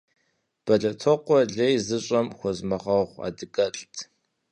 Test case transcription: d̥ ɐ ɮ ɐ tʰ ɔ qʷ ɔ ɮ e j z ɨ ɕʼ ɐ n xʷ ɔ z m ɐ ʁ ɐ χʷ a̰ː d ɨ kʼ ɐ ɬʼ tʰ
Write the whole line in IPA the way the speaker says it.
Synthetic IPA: b̥ ɐ ɮ ɐ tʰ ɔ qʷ ɔ ɮ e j z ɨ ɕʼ ɐ m xʷ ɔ z m ɐ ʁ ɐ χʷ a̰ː d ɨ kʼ ɐ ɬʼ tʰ